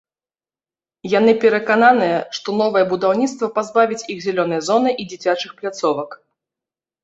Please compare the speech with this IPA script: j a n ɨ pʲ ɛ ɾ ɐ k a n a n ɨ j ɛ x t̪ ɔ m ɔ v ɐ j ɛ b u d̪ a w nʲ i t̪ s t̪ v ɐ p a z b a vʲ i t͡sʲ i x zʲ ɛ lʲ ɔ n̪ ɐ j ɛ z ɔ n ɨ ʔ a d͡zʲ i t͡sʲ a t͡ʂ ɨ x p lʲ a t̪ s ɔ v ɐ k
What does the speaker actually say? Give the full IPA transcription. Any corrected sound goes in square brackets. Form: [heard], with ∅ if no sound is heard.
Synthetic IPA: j a n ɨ pʲ ɛ ɾ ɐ k a n a n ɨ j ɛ [ʂ] t̪ ɔ [n] ɔ v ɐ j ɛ b u d̪ a w nʲ i t̪ s t̪ v ɐ p a z b a vʲ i t͡sʲ i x zʲ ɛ lʲ ɔ n̪ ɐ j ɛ z ɔ n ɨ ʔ [i] d͡zʲ i t͡sʲ a t͡ʂ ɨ x p lʲ a t̪ s ɔ v ɐ k